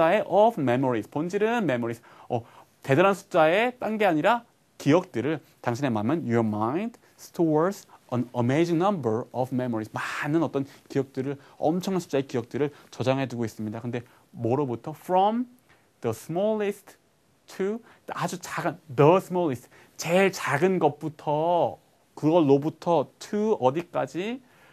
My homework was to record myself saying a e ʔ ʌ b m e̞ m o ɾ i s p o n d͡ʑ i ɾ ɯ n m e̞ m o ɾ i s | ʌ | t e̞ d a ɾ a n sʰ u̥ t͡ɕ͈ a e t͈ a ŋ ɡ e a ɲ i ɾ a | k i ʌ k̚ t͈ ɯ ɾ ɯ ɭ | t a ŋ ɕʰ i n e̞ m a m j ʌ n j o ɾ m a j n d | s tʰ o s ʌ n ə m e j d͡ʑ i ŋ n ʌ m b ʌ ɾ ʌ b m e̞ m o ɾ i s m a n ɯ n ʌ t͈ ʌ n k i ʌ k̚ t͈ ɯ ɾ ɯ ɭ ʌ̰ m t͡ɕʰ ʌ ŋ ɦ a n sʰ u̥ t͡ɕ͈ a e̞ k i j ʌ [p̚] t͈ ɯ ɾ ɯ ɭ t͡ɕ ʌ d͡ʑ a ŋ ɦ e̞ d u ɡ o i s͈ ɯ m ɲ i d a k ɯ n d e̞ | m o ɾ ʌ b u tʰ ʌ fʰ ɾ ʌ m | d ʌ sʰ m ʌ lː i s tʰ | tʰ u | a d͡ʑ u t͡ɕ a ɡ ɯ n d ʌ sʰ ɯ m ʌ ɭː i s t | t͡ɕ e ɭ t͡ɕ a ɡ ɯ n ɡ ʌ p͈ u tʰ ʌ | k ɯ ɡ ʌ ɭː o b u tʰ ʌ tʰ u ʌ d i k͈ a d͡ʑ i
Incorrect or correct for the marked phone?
incorrect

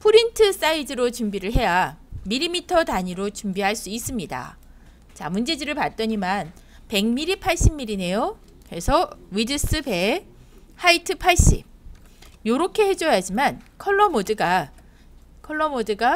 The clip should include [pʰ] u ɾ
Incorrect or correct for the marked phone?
correct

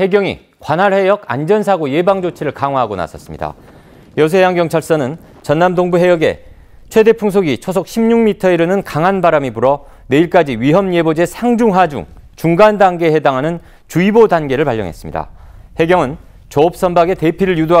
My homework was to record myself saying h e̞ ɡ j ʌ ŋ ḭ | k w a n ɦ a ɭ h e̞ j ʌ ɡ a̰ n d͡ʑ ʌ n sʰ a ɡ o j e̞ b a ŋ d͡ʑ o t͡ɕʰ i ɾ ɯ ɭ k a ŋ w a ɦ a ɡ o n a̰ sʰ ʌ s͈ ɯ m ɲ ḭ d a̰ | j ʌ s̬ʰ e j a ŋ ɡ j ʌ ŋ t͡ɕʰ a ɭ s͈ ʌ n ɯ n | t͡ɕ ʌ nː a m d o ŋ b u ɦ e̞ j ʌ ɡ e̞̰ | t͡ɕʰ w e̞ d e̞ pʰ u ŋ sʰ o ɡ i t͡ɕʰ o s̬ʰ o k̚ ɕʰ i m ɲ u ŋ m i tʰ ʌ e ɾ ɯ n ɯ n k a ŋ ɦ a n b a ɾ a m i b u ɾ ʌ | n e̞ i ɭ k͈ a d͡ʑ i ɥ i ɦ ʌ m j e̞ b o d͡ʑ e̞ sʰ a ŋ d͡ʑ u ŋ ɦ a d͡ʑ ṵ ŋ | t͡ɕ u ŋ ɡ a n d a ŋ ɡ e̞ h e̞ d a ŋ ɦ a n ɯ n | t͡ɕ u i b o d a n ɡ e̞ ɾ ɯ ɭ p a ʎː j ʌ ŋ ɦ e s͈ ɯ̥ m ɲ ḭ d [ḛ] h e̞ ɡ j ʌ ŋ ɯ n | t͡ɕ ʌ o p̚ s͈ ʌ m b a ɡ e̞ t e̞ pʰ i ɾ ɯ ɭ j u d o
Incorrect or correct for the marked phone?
incorrect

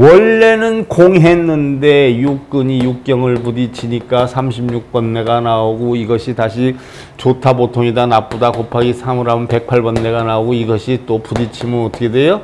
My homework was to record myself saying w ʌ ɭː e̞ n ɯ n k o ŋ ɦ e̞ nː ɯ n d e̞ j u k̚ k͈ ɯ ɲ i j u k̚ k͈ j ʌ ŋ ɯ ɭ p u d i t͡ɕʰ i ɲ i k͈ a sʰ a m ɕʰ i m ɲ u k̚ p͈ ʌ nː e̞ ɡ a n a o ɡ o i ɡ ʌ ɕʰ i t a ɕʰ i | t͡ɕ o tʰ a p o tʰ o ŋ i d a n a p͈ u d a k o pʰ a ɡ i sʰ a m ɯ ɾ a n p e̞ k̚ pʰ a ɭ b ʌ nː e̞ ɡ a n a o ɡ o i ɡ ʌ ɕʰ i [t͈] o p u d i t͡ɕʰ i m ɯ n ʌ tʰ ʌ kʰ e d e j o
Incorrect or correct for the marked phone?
correct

